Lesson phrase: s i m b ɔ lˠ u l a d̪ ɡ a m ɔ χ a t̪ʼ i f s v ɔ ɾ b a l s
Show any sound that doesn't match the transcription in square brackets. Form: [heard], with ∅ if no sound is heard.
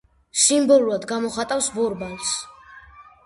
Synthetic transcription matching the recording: s i m b ɔ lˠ u [ɾ] a d̪ ɡ a m ɔ χ a t̪ʼ [a] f s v ɔ ɾ b a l s